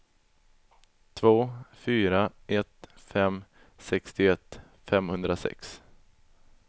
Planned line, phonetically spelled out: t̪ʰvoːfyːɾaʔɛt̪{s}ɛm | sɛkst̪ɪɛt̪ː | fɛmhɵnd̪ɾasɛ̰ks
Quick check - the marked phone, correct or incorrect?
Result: incorrect